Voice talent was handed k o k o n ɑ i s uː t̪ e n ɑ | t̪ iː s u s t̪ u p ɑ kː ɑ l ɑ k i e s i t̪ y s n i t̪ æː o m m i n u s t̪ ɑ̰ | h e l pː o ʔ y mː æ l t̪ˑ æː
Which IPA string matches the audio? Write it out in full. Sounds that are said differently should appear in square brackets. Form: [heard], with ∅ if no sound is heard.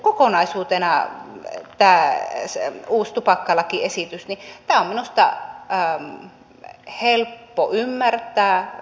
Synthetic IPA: k o k o n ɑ i s uː t̪ e n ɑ | t̪ [æː] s [uː] s t̪ u p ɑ kː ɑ l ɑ k i e s i t̪ y s n i t̪ æː o m m i n u s t̪ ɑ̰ | h e l pː o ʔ y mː æ [r] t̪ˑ æː